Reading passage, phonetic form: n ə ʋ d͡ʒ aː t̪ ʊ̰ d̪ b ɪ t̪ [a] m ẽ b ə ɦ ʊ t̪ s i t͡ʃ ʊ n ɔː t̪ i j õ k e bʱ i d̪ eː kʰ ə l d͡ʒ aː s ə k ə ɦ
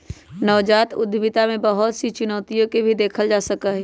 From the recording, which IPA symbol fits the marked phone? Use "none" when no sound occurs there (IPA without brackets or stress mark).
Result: a